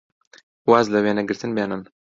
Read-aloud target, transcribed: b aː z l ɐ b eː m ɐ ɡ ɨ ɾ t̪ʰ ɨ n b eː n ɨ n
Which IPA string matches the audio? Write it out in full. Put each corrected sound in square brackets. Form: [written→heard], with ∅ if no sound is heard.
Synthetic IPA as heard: [b→w] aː z l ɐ [b→w] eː [m→n] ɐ ɡ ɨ ɾ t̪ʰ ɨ n b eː n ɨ n

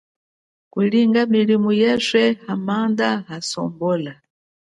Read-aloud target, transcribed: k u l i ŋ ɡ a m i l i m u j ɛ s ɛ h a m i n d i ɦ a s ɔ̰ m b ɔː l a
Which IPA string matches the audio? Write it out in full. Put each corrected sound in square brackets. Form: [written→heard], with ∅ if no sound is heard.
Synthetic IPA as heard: k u l i ŋ ɡ a m i l i m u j ɛ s ɛ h a m [i→a] n d [i→a] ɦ a s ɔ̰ m b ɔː l a

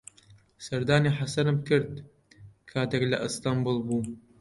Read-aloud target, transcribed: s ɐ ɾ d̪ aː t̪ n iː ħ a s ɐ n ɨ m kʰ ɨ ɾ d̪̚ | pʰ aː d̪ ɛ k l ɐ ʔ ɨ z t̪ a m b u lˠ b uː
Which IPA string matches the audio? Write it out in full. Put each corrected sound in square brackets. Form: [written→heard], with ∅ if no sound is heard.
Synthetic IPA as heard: s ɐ ɾ d̪ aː [t̪→∅] n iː ħ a s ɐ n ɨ m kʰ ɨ ɾ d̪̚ | [pʰ→kʰ] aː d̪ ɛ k l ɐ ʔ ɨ [z→s] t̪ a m b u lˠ b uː

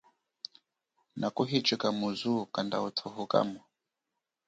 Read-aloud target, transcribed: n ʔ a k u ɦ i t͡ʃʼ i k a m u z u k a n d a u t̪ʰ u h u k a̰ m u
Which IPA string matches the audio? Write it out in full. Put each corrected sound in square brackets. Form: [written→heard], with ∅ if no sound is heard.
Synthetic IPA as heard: n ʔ a k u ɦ i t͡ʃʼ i k a m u z u k a n d a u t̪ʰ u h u k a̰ m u

